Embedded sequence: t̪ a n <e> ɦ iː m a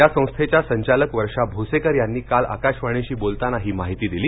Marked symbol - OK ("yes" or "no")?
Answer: no